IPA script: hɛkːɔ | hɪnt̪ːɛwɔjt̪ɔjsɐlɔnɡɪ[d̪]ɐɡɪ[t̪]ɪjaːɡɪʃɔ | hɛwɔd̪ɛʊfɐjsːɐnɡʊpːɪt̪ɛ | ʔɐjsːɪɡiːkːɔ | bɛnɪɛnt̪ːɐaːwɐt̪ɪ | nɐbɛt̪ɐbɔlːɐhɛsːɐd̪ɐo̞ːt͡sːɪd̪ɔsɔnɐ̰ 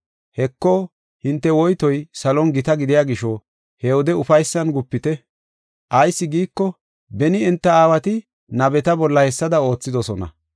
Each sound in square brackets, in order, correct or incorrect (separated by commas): incorrect, incorrect